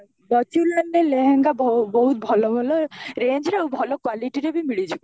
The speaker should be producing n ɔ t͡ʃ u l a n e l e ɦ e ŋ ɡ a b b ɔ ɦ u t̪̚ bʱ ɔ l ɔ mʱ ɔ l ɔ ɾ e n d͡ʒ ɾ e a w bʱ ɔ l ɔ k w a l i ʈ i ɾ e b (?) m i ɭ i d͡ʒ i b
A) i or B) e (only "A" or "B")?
A